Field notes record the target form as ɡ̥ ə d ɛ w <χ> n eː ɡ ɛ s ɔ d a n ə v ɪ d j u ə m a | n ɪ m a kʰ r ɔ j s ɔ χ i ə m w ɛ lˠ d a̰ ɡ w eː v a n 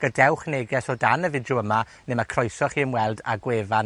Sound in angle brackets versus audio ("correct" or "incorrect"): correct